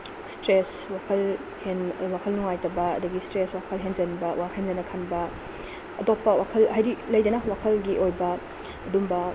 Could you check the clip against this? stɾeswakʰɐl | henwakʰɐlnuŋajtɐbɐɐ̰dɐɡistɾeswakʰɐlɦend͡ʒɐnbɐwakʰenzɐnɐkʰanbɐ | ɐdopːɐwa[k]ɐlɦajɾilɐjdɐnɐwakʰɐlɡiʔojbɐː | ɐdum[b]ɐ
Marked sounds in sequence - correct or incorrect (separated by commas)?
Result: incorrect, correct